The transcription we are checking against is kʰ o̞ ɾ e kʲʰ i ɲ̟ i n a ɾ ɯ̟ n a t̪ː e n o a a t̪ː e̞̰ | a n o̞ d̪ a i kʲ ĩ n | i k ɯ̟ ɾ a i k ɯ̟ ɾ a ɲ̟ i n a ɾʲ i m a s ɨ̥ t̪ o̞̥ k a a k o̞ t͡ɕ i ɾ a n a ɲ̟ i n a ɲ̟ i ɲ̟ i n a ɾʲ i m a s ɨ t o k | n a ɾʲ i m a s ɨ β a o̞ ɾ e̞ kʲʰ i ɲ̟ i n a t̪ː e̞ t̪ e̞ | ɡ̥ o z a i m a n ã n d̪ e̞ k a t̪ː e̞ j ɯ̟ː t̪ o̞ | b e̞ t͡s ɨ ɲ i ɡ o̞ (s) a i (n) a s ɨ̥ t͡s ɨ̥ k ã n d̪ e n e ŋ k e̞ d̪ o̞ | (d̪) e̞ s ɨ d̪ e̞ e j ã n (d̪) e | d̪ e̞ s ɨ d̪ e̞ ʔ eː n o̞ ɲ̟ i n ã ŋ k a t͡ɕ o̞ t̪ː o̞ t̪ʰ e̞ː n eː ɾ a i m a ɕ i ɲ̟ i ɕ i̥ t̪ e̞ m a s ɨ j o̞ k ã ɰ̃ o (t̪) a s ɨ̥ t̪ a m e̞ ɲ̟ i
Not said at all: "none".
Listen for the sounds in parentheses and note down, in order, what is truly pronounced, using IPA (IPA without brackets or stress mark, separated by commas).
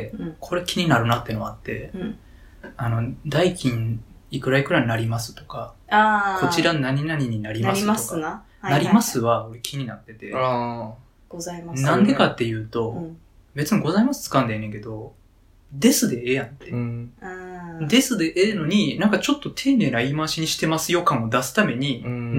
z, m, d̪, t̪, d̪